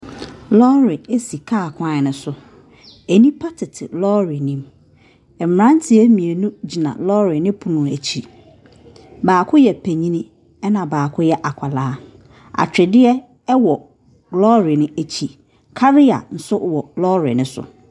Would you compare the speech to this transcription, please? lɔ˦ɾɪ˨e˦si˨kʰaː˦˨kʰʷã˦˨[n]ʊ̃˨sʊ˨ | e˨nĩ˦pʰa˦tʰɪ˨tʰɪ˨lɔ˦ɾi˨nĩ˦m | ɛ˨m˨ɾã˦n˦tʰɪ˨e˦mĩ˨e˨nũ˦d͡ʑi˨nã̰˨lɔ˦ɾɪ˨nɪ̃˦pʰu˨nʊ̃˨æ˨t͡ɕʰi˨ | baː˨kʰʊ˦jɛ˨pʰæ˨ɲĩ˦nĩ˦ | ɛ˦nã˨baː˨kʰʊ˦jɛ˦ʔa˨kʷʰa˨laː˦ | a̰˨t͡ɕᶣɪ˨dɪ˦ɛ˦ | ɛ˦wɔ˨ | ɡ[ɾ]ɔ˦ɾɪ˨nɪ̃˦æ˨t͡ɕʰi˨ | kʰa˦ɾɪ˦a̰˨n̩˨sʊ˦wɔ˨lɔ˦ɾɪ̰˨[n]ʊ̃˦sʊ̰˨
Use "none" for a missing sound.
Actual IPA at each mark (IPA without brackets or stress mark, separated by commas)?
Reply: n, l, n